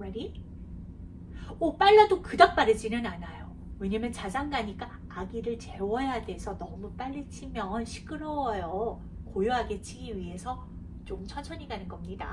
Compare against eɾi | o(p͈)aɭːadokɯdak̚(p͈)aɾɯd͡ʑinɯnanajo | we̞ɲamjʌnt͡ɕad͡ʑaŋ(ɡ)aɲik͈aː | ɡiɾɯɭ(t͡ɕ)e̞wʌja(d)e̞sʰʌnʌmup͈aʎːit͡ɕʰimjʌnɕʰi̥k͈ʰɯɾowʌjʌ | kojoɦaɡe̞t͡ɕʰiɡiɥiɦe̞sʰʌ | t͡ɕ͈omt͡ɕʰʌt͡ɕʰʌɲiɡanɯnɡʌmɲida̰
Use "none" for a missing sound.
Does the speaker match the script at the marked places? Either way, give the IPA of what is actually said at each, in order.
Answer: p͈, p͈, ɡ, t͡ɕ, d

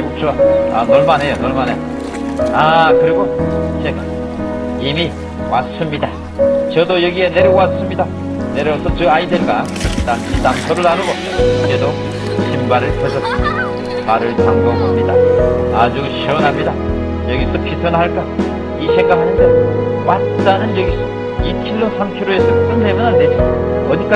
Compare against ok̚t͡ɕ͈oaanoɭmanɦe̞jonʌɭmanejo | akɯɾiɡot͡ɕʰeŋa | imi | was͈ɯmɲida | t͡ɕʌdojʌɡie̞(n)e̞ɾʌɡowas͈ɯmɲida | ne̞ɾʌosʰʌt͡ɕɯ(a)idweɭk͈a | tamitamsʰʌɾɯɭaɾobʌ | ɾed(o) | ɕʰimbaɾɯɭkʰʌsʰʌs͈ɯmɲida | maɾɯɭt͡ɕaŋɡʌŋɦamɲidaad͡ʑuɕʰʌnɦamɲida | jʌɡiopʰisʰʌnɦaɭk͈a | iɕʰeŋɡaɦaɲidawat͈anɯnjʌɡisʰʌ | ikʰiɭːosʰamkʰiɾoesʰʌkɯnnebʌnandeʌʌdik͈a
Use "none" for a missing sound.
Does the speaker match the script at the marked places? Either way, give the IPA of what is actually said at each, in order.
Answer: n, a, o

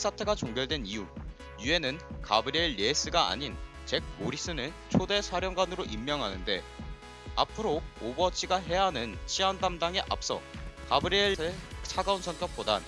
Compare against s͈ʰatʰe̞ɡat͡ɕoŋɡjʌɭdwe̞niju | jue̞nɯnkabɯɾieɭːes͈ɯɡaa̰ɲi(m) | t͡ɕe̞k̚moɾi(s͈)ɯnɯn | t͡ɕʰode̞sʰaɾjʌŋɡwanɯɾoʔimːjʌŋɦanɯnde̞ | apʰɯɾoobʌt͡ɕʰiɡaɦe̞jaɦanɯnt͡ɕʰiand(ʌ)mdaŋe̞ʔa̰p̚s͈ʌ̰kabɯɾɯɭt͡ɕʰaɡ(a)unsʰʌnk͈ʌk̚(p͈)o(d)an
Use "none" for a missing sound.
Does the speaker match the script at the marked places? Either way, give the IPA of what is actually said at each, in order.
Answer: n, s͈, a, a, p͈, d

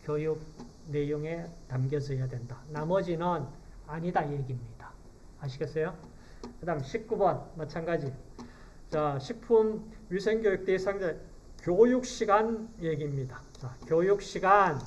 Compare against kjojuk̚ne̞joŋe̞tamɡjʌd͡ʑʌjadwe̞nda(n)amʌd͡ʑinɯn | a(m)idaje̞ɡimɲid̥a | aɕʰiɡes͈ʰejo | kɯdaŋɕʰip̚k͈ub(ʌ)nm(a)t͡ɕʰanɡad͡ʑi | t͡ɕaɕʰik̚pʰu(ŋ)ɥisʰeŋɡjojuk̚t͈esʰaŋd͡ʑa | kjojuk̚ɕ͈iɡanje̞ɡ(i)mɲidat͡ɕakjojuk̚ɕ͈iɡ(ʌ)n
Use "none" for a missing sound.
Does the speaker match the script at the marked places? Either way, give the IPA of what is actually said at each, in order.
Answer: n, ɲ, ʌ, a, m, i, a

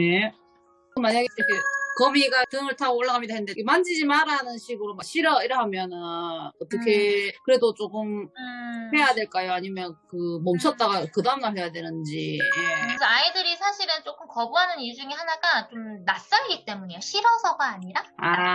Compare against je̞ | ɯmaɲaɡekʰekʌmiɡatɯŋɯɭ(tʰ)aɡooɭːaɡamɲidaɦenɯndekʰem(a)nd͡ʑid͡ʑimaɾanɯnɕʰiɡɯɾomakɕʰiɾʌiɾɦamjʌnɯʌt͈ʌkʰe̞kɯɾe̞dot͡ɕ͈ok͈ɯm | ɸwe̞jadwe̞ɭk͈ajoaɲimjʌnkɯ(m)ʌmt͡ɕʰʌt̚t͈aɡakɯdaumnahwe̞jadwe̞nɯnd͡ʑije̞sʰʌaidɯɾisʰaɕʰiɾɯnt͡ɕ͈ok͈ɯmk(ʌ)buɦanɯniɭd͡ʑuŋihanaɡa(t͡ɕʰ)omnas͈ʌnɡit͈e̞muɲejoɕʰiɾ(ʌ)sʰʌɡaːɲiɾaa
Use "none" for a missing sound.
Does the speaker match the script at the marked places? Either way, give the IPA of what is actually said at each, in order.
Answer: tʰ, a, m, ʌ, t͡ɕ, ʌ

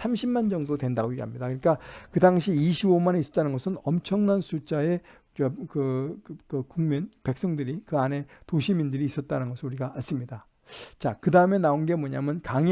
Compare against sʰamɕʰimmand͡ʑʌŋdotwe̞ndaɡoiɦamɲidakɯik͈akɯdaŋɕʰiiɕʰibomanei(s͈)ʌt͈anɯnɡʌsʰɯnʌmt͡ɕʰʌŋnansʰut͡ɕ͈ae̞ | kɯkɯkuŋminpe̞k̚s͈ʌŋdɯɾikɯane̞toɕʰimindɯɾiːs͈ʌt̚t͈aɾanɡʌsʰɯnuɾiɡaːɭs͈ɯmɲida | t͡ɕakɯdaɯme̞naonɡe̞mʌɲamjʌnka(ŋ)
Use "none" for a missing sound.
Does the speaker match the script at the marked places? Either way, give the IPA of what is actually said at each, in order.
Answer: s͈, ŋ

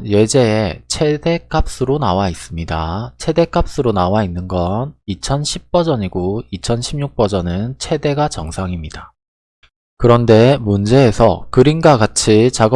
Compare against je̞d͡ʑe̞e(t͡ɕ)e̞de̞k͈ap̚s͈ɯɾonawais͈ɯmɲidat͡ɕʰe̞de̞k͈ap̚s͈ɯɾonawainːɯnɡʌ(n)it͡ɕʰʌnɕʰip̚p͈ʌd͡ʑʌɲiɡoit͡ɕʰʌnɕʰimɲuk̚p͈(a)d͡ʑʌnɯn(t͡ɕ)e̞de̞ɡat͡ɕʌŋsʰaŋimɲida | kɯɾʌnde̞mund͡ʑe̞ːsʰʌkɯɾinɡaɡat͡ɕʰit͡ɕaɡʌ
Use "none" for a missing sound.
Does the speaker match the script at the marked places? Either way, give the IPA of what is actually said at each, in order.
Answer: t͡ɕʰ, n, ʌ, t͡ɕʰ

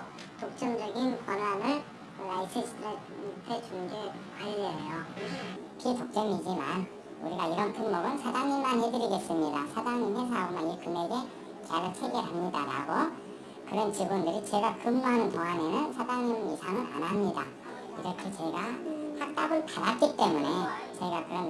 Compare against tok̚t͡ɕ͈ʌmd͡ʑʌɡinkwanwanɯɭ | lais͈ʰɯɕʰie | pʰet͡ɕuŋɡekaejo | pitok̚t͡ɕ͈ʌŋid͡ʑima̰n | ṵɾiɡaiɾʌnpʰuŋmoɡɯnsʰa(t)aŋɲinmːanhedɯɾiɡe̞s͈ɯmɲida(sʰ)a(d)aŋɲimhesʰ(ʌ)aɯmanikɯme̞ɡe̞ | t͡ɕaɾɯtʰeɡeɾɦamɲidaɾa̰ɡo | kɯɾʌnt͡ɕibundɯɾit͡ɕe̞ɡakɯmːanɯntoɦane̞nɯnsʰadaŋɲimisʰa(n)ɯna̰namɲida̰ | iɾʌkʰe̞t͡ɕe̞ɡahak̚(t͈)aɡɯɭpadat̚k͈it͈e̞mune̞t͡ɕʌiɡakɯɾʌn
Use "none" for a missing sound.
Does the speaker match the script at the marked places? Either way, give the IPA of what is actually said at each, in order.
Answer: d, sʰ, d, a, ŋ, t͈

